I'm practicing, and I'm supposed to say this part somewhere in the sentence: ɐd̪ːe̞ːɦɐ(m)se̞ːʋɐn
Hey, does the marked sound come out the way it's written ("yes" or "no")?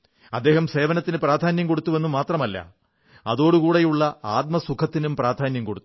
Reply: yes